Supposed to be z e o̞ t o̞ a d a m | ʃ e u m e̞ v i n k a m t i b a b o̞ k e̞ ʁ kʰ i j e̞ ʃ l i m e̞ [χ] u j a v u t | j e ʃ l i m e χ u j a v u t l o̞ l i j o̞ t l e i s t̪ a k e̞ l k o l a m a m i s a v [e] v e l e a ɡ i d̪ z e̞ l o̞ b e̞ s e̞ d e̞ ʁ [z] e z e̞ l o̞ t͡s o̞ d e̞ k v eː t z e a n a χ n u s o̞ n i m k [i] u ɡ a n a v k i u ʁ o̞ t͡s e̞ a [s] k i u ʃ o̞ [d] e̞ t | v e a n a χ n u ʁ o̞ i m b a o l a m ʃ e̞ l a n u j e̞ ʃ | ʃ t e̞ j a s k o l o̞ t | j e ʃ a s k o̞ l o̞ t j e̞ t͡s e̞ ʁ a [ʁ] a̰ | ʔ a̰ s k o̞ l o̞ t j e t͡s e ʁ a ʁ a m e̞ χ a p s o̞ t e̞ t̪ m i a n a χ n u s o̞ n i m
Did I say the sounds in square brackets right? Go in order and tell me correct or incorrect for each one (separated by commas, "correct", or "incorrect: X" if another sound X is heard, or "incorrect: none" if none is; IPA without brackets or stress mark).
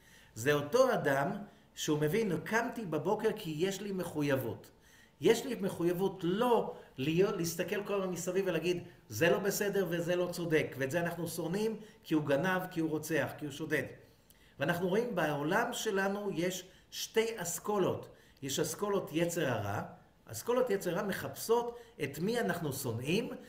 correct, incorrect: i, incorrect: v, correct, incorrect: χ, correct, correct